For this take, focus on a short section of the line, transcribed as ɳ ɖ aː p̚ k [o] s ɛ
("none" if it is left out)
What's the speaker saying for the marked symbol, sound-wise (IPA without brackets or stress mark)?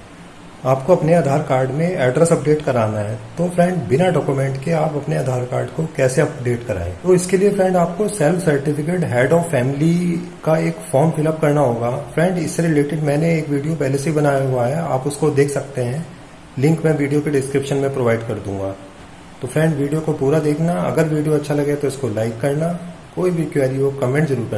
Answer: o